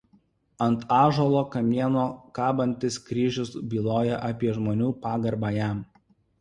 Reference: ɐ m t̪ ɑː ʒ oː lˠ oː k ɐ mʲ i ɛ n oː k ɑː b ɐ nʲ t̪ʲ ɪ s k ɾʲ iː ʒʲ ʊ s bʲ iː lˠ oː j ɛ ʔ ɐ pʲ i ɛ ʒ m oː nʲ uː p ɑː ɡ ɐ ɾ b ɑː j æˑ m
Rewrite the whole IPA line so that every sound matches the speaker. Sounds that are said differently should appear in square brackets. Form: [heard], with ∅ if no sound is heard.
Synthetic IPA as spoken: ɐ [n] t̪ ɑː ʒ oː lˠ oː k ɐ mʲ i ɛ n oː k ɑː b ɐ nʲ t̪ʲ ɪ s k ɾʲ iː ʒʲ ʊ s bʲ iː lˠ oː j ɛ ʔ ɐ pʲ i ɛ ʒ m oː nʲ uː p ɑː ɡ ɐ ɾ b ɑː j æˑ m